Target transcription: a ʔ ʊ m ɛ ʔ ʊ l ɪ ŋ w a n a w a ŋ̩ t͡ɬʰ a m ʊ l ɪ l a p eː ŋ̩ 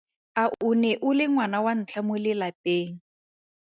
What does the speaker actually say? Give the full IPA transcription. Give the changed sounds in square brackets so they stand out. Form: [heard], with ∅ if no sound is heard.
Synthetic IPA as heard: a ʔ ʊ [n] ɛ ʔ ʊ l ɪ ŋ w a n a w a [n̩] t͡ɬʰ a m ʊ l ɪ l a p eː ŋ̩